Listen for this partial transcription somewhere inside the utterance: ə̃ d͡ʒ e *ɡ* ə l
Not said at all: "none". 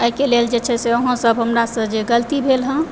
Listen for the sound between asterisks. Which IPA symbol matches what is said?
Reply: ɡ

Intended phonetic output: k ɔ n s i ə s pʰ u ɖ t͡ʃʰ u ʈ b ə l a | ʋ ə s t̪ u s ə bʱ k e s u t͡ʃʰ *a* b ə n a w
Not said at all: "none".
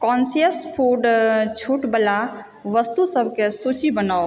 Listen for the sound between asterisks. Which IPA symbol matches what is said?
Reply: i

